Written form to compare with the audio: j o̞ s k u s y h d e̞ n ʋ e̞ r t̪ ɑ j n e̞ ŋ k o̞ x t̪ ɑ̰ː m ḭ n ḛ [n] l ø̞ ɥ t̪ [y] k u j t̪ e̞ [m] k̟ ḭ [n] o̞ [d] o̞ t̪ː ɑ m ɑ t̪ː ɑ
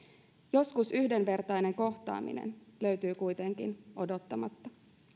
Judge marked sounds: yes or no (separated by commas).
yes, no, no, yes, yes